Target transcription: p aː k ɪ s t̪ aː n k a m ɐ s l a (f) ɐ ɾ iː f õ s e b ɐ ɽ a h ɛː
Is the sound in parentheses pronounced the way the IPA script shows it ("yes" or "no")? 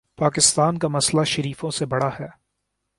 no